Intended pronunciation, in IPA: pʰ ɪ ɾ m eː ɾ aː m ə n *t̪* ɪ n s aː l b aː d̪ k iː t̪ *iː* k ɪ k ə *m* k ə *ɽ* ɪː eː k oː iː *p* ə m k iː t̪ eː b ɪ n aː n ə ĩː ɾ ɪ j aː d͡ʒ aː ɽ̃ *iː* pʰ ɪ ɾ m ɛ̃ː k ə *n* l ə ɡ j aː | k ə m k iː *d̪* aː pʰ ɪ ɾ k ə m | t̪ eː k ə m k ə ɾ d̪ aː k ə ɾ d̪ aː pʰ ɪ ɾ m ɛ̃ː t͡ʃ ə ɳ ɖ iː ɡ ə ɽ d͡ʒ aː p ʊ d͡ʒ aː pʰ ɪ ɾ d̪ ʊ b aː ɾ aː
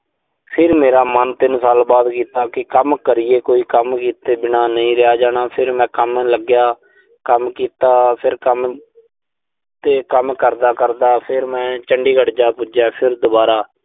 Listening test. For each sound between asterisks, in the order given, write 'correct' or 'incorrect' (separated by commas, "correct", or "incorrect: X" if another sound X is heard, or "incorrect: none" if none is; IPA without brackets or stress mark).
correct, incorrect: aː, correct, incorrect: ɾ, incorrect: k, incorrect: aː, incorrect: m, incorrect: t̪